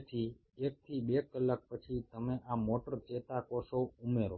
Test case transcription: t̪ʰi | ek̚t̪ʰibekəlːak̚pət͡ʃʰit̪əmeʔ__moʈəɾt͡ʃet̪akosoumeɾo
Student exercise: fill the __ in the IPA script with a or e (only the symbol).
a